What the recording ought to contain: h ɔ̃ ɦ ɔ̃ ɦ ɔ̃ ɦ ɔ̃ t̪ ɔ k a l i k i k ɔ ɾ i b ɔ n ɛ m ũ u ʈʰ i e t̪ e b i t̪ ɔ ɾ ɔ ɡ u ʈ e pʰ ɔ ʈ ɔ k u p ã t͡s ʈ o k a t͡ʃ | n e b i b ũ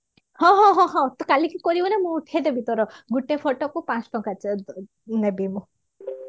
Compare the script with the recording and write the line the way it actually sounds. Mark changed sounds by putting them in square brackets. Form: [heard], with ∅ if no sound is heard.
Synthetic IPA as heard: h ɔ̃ ɦ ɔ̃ ɦ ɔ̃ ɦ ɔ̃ t̪ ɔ k a l i k i k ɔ ɾ i b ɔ n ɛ m ũ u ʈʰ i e [d̪] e b i t̪ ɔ ɾ ɔ ɡ u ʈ e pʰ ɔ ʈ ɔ k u p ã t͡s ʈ [ɔ] k a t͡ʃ | n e b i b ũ